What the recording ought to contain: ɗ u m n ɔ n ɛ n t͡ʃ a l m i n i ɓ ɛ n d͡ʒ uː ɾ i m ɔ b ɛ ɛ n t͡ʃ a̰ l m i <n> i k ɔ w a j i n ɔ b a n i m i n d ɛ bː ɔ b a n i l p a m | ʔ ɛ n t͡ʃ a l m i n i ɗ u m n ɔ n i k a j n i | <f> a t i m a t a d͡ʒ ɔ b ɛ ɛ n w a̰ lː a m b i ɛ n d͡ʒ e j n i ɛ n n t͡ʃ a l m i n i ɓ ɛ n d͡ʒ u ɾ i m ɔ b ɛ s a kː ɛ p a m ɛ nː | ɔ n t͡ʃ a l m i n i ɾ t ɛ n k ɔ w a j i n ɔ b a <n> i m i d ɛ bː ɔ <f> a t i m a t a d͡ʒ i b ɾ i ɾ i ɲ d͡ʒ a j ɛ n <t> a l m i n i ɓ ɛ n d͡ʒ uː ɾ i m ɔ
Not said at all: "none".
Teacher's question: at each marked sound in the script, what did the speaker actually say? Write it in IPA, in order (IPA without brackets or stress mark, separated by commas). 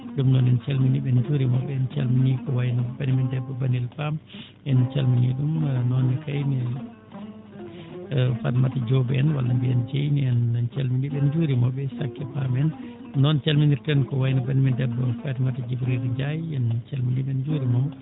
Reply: n, f, n, f, t͡ʃ